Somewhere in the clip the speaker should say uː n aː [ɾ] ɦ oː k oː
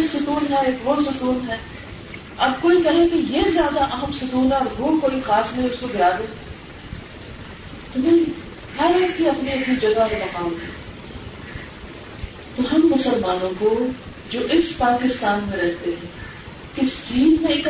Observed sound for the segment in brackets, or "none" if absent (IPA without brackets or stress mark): ɾ